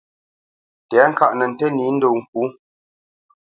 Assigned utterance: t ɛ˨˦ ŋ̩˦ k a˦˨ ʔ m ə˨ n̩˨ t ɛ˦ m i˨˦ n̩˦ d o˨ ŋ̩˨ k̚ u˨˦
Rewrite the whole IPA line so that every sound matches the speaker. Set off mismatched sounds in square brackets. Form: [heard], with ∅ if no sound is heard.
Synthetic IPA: t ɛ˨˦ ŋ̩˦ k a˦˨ ʔ [n] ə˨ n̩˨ t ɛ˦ [n] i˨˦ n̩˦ d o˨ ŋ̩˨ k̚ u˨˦